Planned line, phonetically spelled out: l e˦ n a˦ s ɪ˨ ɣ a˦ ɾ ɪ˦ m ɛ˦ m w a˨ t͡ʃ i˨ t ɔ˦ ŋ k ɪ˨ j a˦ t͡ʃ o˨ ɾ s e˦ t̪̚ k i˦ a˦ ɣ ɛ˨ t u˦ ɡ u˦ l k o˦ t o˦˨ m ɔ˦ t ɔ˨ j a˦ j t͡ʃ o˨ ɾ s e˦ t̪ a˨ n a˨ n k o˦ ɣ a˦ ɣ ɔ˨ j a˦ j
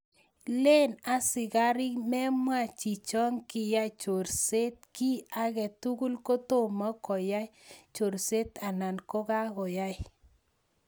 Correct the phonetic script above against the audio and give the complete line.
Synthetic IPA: l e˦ n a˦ s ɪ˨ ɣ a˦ ɾ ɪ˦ m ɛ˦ m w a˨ t͡ʃ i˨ t͡ʃ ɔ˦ ŋ k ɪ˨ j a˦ t͡ʃ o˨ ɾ s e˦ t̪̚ k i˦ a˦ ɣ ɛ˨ t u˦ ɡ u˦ l k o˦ t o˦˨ m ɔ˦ k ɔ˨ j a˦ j t͡ʃ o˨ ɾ s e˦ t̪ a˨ n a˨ n k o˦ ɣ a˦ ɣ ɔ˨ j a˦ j